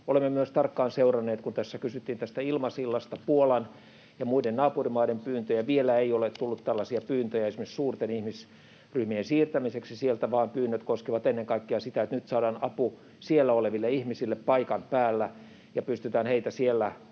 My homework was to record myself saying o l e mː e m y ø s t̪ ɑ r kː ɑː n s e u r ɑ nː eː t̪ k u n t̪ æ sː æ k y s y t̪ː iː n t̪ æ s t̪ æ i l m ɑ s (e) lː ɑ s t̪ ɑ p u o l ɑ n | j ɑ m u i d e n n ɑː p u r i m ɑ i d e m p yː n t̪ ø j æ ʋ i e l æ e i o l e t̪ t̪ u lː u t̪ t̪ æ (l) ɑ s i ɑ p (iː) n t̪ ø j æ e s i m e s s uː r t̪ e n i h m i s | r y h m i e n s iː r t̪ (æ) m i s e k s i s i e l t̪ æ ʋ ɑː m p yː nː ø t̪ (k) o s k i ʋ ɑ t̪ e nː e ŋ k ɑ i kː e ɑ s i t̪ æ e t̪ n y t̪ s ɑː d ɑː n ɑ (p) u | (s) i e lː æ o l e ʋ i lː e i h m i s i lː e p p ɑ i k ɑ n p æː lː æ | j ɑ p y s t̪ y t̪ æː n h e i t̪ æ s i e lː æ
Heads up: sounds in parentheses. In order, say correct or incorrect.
incorrect, incorrect, incorrect, correct, correct, correct, correct

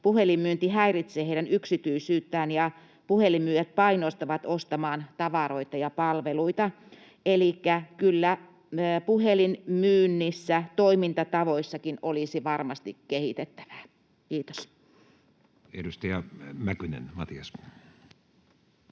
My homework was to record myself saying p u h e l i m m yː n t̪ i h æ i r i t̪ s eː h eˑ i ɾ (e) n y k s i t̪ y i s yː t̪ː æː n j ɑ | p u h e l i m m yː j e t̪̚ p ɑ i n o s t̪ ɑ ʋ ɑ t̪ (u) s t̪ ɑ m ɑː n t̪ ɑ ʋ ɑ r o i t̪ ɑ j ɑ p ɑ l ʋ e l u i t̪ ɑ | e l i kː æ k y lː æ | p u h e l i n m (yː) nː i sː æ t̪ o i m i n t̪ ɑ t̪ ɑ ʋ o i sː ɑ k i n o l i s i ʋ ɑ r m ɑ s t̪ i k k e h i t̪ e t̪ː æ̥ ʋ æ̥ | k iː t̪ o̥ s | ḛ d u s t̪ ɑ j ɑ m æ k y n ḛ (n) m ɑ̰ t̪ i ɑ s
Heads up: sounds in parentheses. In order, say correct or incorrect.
incorrect, incorrect, correct, correct

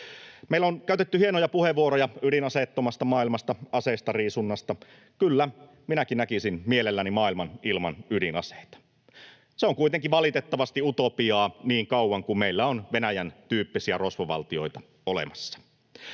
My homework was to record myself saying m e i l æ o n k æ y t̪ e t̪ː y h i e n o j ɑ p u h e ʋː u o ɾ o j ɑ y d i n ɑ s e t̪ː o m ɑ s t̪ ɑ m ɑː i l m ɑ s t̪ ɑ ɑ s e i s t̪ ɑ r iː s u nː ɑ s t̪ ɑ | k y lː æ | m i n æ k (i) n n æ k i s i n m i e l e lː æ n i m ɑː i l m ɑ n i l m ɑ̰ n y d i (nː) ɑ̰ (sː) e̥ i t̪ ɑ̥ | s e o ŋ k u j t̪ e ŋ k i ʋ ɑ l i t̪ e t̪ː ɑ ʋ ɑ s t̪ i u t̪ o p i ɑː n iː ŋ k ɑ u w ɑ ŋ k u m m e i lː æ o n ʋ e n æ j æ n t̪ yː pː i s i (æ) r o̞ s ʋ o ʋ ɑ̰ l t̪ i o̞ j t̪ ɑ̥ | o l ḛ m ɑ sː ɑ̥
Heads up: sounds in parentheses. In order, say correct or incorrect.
correct, incorrect, incorrect, correct

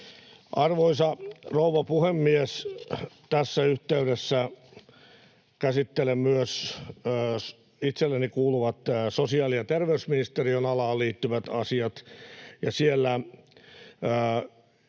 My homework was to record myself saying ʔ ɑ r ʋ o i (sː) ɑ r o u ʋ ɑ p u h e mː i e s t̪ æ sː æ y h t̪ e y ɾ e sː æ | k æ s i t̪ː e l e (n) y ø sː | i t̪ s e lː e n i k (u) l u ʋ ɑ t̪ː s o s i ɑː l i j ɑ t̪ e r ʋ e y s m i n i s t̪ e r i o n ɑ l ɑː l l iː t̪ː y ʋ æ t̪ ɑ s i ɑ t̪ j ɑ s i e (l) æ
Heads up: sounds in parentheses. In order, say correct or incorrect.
incorrect, incorrect, incorrect, incorrect

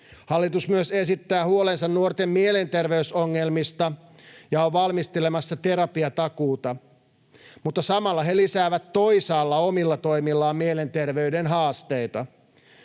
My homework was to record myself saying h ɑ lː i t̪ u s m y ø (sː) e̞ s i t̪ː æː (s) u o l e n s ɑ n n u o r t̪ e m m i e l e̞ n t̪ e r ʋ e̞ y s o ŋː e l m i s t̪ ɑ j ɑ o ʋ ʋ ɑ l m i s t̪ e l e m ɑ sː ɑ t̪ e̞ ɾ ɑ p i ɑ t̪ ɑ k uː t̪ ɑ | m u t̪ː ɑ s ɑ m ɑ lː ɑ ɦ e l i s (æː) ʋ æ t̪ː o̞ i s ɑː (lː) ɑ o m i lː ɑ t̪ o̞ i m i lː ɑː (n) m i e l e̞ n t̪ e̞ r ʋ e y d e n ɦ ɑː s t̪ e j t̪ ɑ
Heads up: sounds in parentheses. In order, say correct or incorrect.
incorrect, incorrect, correct, correct, incorrect

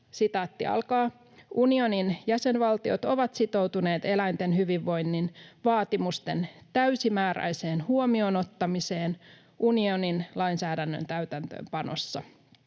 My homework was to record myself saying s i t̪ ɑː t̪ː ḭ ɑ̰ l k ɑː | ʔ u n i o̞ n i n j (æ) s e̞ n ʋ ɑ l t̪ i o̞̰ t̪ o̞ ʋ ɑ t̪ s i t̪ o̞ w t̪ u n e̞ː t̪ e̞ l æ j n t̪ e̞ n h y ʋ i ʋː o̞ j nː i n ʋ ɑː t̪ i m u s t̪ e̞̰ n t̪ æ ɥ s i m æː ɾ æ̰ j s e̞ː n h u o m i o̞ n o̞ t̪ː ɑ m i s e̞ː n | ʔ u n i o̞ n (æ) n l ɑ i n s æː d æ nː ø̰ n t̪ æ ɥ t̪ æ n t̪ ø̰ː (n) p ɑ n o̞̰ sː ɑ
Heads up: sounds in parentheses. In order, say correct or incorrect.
correct, incorrect, incorrect

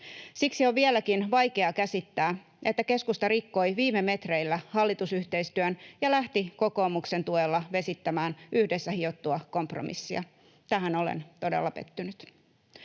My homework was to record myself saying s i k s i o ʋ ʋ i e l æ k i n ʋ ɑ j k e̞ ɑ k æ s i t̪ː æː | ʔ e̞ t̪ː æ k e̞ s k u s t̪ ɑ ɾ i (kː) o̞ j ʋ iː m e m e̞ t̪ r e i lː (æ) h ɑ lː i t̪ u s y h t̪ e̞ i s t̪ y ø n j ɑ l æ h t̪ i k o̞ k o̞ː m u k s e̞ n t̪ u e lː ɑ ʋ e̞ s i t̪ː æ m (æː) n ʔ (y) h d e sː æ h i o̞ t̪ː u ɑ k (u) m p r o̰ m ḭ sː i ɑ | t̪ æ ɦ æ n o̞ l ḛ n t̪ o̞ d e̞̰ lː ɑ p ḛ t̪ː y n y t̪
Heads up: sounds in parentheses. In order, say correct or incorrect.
correct, correct, correct, correct, incorrect

